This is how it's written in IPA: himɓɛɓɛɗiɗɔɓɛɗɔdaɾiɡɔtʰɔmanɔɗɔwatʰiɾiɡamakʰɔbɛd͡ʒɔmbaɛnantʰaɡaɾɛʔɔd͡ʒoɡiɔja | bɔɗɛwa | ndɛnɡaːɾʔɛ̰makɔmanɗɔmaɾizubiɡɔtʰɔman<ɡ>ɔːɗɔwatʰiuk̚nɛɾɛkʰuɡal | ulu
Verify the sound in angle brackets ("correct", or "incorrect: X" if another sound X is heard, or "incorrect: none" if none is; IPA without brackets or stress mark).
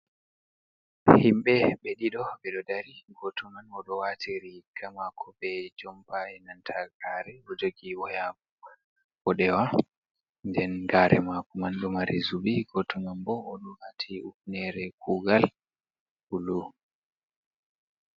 incorrect: b